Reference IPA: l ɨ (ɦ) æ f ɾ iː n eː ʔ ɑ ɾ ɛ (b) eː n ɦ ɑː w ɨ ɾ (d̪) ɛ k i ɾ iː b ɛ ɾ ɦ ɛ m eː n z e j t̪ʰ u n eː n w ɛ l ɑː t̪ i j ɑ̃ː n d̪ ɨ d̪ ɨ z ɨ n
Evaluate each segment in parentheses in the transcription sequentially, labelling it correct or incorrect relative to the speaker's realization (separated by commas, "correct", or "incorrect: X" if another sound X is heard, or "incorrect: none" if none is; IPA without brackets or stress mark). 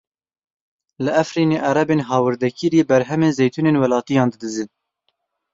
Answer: incorrect: none, correct, correct